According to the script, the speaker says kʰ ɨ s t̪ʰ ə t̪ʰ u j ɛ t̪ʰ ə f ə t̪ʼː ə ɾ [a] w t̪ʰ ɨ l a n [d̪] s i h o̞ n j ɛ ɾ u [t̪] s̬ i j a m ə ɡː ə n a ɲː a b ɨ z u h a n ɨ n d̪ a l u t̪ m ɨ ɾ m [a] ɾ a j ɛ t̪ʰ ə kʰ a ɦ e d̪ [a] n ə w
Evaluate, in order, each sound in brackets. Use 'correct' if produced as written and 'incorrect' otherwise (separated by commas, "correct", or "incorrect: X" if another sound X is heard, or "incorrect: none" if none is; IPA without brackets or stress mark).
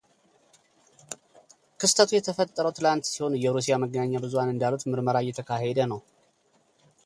incorrect: ə, incorrect: t̪, incorrect: none, incorrect: ə, incorrect: ə